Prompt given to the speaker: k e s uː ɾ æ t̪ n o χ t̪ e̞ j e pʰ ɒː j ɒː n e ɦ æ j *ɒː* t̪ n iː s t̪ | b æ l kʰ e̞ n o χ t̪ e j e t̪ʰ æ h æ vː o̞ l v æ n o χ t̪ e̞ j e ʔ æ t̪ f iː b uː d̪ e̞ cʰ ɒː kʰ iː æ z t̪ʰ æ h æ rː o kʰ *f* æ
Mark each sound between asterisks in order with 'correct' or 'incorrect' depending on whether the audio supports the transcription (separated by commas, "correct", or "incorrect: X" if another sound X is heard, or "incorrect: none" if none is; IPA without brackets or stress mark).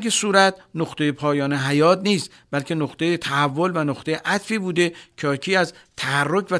correct, incorrect: v